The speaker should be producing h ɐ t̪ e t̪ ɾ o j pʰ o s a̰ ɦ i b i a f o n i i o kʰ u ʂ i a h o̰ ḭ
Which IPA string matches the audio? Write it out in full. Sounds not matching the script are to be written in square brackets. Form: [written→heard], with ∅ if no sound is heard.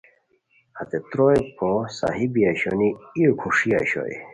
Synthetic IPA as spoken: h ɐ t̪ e t̪ ɾ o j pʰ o s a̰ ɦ i b i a [f→ɕ] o n i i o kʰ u ʂ i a [h→ɕ] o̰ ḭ